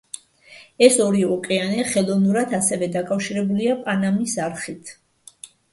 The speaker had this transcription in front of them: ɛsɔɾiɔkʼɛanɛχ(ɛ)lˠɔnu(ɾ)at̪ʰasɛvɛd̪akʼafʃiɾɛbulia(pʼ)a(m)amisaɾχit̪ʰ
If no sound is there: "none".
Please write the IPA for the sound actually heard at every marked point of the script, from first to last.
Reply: ɛ, ɾ, pʼ, n

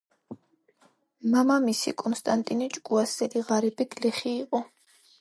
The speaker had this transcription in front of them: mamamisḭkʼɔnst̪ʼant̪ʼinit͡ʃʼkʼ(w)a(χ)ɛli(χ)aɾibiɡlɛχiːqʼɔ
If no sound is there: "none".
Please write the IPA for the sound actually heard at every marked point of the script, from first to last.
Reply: u, s, ʁ

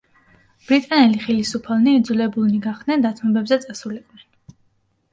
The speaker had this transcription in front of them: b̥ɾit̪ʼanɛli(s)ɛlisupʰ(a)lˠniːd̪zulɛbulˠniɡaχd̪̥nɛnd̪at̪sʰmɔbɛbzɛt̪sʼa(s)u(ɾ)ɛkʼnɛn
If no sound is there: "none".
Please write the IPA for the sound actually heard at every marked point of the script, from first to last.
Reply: χ, a, s, l

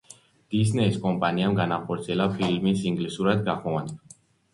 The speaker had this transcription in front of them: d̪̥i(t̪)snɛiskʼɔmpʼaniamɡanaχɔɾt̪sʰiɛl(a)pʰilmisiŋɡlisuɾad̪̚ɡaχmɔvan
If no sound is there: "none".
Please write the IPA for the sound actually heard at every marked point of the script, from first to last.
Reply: none, a

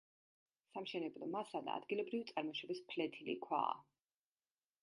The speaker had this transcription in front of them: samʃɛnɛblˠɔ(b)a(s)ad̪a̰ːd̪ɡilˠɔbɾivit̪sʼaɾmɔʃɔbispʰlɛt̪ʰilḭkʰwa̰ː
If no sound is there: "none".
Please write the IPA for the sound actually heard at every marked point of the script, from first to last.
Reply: m, s

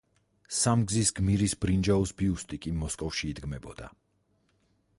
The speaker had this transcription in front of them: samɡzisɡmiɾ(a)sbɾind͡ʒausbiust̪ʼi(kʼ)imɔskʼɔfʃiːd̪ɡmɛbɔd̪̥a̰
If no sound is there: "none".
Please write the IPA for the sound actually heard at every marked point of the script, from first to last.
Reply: i, kʼ

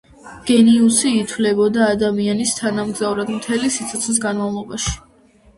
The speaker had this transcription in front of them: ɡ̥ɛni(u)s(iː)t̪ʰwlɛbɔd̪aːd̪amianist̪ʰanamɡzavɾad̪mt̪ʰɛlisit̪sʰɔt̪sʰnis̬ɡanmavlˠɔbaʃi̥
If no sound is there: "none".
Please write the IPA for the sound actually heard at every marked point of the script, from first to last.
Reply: u, iː

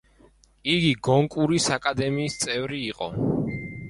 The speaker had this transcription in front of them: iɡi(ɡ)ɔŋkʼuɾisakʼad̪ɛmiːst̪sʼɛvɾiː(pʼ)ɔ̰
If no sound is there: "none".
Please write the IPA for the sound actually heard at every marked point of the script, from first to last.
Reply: ɡ, qʼ

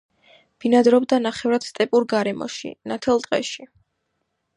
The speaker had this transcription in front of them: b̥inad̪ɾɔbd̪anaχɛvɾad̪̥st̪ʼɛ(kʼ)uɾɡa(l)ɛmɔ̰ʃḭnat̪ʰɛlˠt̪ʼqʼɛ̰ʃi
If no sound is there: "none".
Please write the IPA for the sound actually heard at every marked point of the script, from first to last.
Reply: pʼ, ɾ

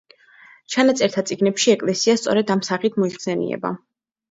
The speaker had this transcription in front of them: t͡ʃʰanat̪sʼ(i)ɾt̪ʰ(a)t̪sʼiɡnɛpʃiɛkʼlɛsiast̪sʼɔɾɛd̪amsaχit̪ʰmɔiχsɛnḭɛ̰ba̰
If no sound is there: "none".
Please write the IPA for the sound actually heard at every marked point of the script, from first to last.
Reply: ɛ, a

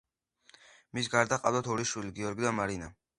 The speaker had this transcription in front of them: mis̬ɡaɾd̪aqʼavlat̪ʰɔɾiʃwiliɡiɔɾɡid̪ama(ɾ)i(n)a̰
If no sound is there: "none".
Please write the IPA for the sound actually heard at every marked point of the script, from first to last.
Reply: ɾ, n

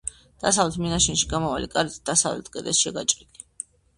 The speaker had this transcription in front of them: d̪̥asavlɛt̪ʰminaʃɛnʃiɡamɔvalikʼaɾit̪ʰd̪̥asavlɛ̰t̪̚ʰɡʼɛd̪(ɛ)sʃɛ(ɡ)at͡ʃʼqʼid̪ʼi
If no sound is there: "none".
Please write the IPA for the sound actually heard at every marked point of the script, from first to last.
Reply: ɛ, ɡ

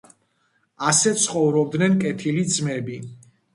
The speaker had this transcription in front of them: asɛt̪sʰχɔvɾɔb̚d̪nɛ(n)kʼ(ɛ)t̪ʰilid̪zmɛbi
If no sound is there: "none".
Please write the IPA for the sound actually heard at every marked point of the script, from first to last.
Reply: n, ɛ

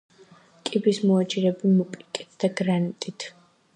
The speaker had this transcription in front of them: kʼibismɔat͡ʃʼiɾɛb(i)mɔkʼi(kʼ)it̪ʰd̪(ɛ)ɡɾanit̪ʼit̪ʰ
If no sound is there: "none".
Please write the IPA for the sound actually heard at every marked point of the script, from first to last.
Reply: i, kʼ, a

